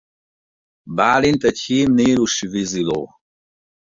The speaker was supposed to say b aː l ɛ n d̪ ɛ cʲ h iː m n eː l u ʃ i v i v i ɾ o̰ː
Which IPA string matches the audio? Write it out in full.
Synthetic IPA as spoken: b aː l i n t̪ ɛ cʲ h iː m n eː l u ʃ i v i z i l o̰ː